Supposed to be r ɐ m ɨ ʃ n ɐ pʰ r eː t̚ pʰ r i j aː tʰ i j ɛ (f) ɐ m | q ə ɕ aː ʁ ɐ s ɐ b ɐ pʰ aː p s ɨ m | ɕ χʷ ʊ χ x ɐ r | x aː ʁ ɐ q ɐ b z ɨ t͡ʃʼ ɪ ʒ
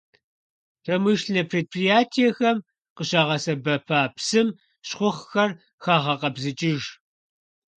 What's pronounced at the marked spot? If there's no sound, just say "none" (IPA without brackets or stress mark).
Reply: x